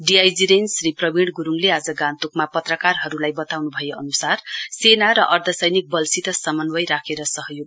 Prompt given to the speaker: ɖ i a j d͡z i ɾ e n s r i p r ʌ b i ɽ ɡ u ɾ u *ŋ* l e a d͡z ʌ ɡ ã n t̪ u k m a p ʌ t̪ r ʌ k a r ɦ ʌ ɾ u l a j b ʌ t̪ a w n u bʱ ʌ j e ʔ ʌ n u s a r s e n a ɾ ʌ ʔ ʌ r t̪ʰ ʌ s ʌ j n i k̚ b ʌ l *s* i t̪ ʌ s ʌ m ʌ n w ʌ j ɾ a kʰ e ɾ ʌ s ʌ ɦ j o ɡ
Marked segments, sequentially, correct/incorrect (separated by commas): correct, correct